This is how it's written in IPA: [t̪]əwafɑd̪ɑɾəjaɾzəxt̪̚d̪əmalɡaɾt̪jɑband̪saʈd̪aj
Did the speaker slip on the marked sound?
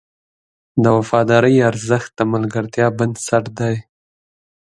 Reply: yes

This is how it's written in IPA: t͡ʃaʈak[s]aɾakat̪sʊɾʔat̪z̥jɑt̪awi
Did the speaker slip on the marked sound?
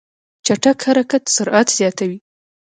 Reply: yes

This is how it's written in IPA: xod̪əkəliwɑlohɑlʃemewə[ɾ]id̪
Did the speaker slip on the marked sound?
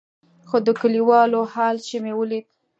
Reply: yes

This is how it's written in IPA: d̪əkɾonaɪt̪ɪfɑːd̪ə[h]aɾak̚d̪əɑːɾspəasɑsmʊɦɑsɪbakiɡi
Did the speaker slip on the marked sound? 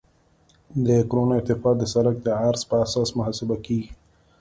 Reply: yes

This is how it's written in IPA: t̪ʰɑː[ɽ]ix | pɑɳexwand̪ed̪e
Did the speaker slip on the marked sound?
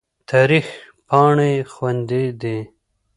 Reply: yes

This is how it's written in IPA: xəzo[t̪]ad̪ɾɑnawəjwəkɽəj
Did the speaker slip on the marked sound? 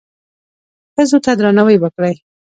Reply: no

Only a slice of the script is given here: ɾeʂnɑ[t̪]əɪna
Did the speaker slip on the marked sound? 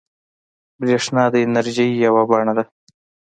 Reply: yes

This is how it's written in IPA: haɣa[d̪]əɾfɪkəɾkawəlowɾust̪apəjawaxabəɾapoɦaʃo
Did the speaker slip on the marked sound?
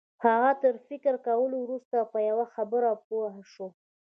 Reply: yes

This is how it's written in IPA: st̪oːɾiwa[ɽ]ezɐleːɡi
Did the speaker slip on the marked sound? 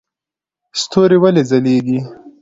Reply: yes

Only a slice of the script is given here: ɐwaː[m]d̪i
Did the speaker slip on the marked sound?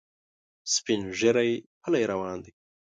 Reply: yes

